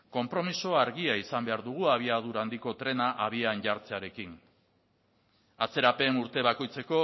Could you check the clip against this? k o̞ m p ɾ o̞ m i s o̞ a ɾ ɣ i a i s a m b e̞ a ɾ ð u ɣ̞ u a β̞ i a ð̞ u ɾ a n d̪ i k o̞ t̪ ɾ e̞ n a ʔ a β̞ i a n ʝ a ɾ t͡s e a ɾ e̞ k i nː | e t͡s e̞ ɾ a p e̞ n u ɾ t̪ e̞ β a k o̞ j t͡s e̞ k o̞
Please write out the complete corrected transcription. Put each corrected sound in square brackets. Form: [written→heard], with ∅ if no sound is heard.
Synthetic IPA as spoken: k o̞ m p ɾ o̞ m i s o̞ a ɾ ɣ i a i s a m b e̞ a ɾ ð u ɣ̞ u a β̞ i a ð̞ u ɾ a n d̪ i k o̞ t̪ ɾ e̞ n a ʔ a β̞ i a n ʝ a ɾ t͡s e a ɾ e̞ k i [nː→n] | [e→a] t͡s e̞ ɾ a p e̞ n u ɾ t̪ e̞ β a k o̞ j t͡s e̞ k o̞